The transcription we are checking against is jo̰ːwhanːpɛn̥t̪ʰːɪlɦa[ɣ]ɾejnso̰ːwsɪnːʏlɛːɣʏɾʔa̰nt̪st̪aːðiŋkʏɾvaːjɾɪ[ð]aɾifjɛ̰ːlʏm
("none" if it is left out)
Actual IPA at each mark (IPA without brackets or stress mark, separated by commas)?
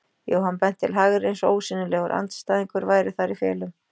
ɣ, θ